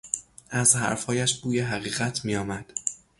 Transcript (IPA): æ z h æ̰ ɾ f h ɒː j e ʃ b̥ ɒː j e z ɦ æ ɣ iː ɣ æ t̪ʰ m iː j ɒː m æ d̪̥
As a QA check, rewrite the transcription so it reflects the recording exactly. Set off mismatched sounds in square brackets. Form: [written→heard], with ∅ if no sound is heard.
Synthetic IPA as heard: æ z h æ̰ ɾ f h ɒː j [e→æ] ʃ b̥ [ɒː→uː] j e [z→∅] ɦ æ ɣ iː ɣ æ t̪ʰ m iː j ɒː m æ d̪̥

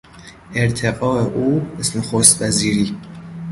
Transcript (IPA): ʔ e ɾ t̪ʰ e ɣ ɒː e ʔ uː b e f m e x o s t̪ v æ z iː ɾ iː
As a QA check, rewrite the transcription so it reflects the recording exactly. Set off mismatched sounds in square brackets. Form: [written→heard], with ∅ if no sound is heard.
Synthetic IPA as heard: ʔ e ɾ t̪ʰ e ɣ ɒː e ʔ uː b e [f→s] m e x o s t̪ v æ z iː ɾ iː

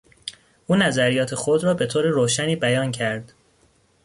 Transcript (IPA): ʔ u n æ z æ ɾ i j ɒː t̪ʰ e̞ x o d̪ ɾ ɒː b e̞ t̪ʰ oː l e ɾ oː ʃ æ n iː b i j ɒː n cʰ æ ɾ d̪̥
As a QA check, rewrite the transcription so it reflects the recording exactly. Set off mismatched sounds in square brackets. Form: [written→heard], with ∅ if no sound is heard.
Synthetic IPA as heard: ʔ [u→uː] n æ z æ ɾ i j ɒː t̪ʰ e̞ x o d̪ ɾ ɒː b e̞ t̪ʰ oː [l→ɾ] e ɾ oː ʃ æ n iː b [i→æ] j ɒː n cʰ æ ɾ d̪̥

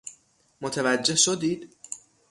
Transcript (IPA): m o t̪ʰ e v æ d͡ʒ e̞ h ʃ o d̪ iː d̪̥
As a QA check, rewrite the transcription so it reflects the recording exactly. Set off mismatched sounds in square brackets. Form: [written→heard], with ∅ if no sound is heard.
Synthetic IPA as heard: m o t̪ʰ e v æ [d͡ʒ→d͡ʒː] e̞ h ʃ o d̪ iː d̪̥

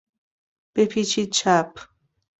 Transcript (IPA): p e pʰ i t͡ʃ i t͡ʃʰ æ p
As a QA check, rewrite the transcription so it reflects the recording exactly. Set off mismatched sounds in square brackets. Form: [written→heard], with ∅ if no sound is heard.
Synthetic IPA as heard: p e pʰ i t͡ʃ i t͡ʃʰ [æ→a] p

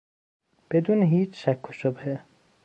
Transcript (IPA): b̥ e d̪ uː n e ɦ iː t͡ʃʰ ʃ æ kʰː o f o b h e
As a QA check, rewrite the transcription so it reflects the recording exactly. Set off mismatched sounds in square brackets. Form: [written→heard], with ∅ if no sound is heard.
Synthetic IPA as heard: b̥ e d̪ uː n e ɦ iː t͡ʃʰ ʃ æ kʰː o [f→ʃ] o b h e

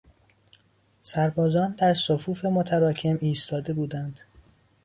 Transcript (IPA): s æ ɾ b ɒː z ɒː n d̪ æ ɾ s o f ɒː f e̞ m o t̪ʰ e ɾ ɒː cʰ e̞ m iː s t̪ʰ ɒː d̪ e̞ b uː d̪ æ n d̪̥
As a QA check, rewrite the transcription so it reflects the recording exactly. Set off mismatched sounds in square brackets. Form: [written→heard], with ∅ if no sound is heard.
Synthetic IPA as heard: s æ ɾ b ɒː z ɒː n d̪ æ ɾ s o f [ɒː→uː] f e̞ m o t̪ʰ [e→æ] ɾ ɒː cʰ e̞ m iː s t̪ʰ ɒː d̪ e̞ b uː d̪ æ n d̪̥

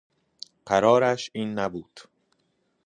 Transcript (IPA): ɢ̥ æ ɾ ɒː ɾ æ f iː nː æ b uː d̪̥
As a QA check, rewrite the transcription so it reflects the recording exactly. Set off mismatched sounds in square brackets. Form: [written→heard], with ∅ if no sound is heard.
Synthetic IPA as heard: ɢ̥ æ ɾ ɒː ɾ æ [f→ʃ] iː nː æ b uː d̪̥

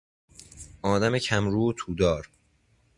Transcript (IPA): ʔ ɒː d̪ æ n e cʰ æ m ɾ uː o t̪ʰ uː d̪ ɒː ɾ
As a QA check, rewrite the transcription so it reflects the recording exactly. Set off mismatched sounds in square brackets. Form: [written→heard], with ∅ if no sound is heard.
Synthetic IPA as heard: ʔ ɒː d̪ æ [n→m] e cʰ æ m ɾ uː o t̪ʰ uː d̪ ɒː ɾ

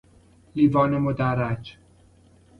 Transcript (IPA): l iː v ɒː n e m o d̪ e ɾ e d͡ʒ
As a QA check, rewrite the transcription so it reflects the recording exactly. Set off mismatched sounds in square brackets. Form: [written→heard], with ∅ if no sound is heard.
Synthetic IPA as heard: l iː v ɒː n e m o d̪ [e→æ] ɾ [e→æ] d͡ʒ

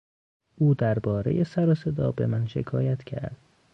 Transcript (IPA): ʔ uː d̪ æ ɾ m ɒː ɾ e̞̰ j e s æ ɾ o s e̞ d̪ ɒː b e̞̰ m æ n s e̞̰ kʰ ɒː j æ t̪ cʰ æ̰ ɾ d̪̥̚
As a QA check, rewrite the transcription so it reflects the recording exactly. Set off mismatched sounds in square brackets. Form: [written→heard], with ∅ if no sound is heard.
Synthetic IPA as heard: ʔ uː d̪ æ ɾ [m→b] ɒː ɾ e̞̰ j e s æ ɾ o s e̞ d̪ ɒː b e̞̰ m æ n [s→ʃ] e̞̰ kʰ ɒː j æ t̪ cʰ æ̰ ɾ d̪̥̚

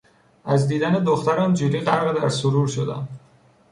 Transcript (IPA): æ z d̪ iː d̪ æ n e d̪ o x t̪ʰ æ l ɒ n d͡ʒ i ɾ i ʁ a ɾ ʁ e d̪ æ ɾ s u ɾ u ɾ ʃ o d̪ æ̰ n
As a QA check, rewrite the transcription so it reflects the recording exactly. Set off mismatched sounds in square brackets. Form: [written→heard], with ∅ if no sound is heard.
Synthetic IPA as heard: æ z d̪ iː d̪ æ n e d̪ o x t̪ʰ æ [l→ɾ] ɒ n d͡ʒ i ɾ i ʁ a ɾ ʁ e d̪ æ ɾ s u ɾ u ɾ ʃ o d̪ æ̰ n

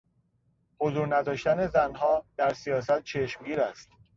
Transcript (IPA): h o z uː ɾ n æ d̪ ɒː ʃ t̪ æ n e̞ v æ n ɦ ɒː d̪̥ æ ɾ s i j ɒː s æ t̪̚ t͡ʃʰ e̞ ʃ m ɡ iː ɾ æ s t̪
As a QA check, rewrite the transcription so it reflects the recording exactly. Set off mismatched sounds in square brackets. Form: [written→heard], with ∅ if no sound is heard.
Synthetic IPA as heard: h o z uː ɾ n æ d̪ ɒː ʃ t̪ æ n e̞ [v→z] æ n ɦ ɒː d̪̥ æ ɾ s i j ɒː s æ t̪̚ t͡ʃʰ e̞ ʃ m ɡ iː ɾ æ s t̪

